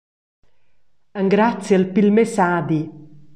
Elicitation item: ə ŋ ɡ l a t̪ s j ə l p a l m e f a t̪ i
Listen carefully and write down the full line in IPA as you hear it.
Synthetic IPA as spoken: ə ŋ ɡ ɾ a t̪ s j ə l p i l m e s a d̪ i